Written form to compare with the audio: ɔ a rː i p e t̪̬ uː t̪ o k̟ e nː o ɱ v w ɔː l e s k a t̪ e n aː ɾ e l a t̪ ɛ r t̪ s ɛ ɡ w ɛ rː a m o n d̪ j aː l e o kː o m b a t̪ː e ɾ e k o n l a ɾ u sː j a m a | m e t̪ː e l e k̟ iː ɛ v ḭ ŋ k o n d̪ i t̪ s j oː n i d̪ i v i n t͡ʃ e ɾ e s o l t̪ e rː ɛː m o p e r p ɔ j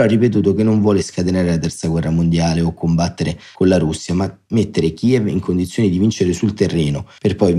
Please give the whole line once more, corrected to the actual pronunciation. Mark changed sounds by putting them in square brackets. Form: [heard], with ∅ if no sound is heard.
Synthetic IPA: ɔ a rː i p e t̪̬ uː t̪ o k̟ e nː o ɱ v w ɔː l e s k a t̪ e n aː ɾ e l a t̪ ɛ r t̪ s [a] ɡ w ɛ rː a m o n d̪ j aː l e o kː o m b a t̪ː e ɾ e k o n l a ɾ u sː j a m a | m e t̪ː e [ɾ] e k̟ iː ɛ v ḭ ŋ k o n d̪ i t̪ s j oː n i d̪ i v i n t͡ʃ e ɾ e s [u] l t̪ e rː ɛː [n] o p e r p ɔ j